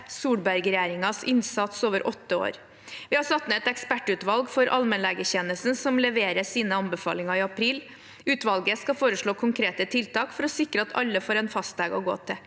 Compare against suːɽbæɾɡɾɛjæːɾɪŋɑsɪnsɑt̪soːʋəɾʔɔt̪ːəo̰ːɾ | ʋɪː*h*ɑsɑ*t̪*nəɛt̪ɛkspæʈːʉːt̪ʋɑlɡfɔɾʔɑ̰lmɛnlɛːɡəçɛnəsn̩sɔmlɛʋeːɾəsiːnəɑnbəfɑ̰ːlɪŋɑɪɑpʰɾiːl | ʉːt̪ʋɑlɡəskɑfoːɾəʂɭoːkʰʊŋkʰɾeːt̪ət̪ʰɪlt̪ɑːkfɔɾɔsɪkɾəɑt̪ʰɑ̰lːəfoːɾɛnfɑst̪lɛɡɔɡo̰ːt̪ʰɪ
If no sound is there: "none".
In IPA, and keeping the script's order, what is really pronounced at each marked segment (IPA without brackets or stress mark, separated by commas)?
h, t̪